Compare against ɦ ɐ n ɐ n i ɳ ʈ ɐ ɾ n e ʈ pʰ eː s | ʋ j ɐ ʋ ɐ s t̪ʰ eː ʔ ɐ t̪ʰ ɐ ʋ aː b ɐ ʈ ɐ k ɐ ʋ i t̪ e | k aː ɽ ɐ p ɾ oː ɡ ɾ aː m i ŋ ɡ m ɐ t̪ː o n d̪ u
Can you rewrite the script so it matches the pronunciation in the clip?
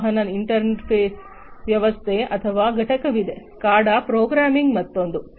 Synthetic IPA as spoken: ɦ ɐ n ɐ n i ɳ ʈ ɐ ɾ n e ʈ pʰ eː s | ʋ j ɐ ʋ ɐ s t̪ʰ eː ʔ ɐ t̪ʰ ɐ ʋ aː ɡ ɐ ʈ ɐ k ɐ ʋ i d̪ e | k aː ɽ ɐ p ɾ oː ɡ ɾ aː m i ŋ ɡ m ɐ t̪ː o n d̪ u

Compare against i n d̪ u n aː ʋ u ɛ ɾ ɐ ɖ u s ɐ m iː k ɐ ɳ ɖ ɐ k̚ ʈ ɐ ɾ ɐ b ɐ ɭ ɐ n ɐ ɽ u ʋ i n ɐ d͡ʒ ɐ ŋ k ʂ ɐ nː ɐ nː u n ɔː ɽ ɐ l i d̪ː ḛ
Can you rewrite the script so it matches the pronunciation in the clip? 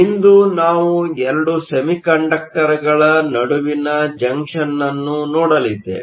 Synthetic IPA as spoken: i n d̪ u n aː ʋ u ɛ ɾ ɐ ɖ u s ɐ m i k ɐ ɳ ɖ ɐ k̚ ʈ ɐ ɾ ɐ ɡ ɐ ɭ ɐ n ɐ ɽ u ʋ i n ɐ d͡ʒ ɐ ŋ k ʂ ɐ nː ɐ nː u n ɔː ɽ ɐ l i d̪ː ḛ

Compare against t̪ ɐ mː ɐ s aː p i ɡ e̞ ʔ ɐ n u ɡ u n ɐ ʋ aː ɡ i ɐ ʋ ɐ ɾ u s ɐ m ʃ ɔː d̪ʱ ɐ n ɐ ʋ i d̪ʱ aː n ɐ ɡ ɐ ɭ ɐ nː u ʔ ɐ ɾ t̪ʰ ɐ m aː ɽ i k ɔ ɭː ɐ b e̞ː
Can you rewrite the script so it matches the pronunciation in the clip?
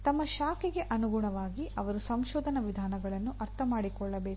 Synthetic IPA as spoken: t̪ ɐ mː ɐ ʃ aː k i ɡ e̞ ʔ ɐ n u ɡ u ɳ ɐ ʋ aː ɡ i ɐ ʋ ɐ ɾ u s ɐ m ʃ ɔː d̪ʱ ɐ n ɐ ʋ i d̪ʱ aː n ɐ ɡ ɐ ɭ ɐ nː u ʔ ɐ ɾ t̪ʰ ɐ m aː ɽ i k ɔ ɭː ɐ b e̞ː

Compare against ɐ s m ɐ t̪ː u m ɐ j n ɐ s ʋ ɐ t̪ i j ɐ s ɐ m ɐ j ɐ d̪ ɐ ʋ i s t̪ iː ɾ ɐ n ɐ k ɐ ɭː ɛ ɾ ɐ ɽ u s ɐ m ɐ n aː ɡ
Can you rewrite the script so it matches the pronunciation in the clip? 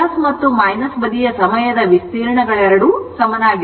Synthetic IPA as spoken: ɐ s m ɐ t̪ː u m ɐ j n ɐ s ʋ ɐ d̪ i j ɐ s ɐ m ɐ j ɐ d̪ ɐ ʋ i s t̪ iː ɾ ɐ ɳ ɐ ɡ ɐ ɭ ɛ ɾ ɐ ɽ u s ɐ m ɐ n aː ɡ

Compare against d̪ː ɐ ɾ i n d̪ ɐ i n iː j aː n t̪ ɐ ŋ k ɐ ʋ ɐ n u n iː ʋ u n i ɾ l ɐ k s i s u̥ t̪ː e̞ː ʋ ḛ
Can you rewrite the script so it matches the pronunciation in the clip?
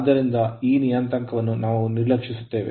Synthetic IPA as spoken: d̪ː ɐ ɾ i n d̪ ɐ iː n i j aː n t̪ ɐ ŋ k ɐ ʋ ɐ nː u n aː ʋ u n i ɾ l ɐ k ʂ i s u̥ t̪ː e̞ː ʋ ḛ

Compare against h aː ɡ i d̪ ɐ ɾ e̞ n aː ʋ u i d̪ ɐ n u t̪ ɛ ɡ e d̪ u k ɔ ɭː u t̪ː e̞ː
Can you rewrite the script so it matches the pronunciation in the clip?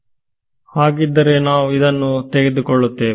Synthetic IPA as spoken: h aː ɡ i d̪ː ɐ ɾ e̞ n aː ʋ u i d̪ ɐ nː u t̪ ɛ ɡ e d̪ u k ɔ ɭː u t̪ː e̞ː

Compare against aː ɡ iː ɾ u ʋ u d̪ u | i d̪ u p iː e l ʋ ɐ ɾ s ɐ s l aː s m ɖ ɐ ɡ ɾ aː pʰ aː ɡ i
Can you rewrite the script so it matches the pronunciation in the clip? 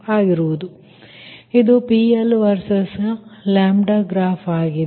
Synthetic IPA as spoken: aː ɡ i ɾ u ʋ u d̪ u | i d̪ u p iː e l ʋ ɐ ɾ s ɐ s l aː m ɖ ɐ ɡ ɾ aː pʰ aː ɡ i

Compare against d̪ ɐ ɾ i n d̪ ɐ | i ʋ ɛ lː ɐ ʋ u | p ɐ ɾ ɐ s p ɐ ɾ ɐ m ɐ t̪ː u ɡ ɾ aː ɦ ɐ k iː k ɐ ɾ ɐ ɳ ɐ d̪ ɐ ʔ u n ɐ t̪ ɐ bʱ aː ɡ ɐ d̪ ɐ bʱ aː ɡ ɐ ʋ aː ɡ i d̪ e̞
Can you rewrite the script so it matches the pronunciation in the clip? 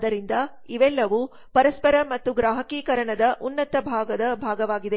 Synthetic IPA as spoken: d̪ ɐ ɾ i n d̪ ɐ | i ʋ ɛ lː ɐ ʋ u | p ɐ ɾ ɐ s p ɐ ɾ ɐ m ɐ t̪ː u ɡ ɾ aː ɦ ɐ k iː k ɐ ɾ ɐ ɳ ɐ d̪ ɐ ʔ u nː ɐ t̪ ɐ bʱ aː ɡ ɐ d̪ ɐ bʱ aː ɡ ɐ ʋ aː ɡ i d̪ e̞

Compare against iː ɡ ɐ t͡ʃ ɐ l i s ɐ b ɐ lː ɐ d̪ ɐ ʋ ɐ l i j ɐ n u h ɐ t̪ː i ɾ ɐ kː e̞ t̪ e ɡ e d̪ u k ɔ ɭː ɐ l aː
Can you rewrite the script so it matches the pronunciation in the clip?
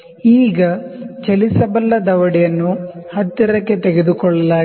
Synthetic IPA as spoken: iː ɡ ɐ t͡ʃ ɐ l i s ɐ b ɐ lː ɐ d̪ ɐ ʋ ɐ ɽ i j ɐ nː u h ɐ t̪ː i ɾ ɐ kː e̞ t̪ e ɡ e d̪ u k ɔ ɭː ɐ l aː

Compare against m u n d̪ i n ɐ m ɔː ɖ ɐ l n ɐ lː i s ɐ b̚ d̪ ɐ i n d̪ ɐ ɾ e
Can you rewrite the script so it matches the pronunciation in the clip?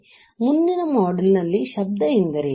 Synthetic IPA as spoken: m u n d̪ i n ɐ m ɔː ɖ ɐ l n ɐ lː i ʃ ɐ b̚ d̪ ɐ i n d̪ ɐ ɾ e

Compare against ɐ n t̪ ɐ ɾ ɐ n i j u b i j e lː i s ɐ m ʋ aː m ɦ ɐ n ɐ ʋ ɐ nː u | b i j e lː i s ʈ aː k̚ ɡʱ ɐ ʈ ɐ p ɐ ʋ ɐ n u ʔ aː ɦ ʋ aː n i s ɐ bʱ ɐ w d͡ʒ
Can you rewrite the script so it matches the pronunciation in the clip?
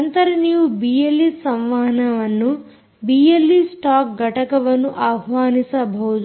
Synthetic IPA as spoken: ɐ n t̪ ɐ ɾ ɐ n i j u b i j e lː i s ɐ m ʋ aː ɦ ɐ n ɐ ʋ ɐ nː u | b i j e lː i s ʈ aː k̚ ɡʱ ɐ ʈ ɐ k ɐ ʋ ɐ n u ʔ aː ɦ ʋ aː n i s ɐ bʱ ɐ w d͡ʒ

